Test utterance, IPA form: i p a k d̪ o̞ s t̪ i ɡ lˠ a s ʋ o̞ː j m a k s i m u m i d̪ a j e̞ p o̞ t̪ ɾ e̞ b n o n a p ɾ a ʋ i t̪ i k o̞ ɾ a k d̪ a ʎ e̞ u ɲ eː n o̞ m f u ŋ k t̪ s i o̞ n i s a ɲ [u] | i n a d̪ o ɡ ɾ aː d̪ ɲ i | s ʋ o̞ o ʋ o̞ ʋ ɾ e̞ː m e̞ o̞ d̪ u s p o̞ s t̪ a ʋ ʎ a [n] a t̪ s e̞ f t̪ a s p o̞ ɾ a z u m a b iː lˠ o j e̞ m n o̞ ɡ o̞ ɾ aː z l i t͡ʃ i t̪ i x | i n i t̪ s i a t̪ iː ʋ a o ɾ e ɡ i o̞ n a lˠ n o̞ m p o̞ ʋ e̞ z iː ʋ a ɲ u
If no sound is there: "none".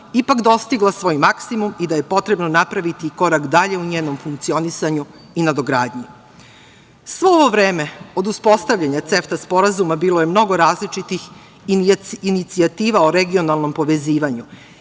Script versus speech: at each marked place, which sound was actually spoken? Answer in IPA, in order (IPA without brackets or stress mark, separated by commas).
u, ɲ